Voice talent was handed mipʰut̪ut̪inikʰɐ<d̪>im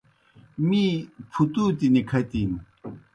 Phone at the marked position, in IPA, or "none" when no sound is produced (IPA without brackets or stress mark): t̪